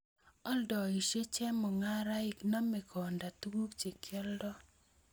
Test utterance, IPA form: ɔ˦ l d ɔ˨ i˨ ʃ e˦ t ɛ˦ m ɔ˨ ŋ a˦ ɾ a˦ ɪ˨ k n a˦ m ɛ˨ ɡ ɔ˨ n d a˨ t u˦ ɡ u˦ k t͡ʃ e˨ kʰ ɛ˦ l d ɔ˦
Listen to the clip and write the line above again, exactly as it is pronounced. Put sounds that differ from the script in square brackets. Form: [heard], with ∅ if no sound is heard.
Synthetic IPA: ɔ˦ l d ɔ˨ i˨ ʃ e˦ [t͡ʃ] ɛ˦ m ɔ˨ ŋ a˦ ɾ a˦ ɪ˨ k n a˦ m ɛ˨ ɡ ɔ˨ n d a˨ t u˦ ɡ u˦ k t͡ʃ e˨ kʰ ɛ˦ l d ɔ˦